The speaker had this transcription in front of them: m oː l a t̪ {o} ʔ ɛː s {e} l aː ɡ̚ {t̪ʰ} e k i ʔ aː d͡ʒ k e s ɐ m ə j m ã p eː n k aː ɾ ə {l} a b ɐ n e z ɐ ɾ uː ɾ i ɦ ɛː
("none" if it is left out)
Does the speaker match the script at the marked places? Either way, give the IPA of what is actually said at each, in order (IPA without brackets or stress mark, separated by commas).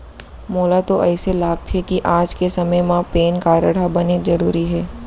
o, e, t̪ʰ, ɽ